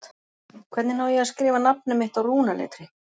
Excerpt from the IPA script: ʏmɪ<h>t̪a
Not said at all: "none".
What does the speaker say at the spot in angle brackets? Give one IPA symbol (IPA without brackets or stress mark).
h